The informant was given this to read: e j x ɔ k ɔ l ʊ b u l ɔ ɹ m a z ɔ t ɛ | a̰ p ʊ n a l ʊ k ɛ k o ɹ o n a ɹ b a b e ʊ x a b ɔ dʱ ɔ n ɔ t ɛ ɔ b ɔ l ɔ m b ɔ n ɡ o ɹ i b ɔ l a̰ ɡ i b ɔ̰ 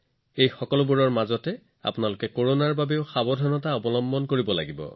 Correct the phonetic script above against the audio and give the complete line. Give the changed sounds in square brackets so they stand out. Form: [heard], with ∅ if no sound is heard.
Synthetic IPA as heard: e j x ɔ k ɔ l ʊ b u [ɹ] ɔ ɹ m a z ɔ t ɛ | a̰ p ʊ n a l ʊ k ɛ k o ɹ o n a ɹ b a b e ʊ x a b ɔ dʱ ɔ n ɔ t [a] ɔ b ɔ l ɔ m b ɔ n [k] o ɹ i b ɔ l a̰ ɡ i b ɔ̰